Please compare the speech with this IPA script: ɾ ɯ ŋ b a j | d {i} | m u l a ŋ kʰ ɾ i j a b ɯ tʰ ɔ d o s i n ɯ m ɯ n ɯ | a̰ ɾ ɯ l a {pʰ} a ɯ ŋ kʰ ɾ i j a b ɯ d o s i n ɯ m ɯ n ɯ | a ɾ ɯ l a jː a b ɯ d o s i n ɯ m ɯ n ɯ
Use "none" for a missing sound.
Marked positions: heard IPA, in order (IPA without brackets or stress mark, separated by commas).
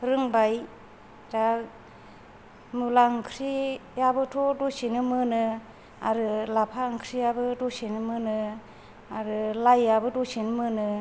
a, pʰ